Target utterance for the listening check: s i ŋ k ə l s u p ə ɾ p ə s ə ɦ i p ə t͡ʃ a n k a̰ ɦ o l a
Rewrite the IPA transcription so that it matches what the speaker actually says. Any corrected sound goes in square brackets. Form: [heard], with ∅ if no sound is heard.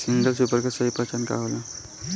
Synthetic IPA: s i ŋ [ɡ] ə l s u p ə ɾ [k] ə s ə ɦ i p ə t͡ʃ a n k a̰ ɦ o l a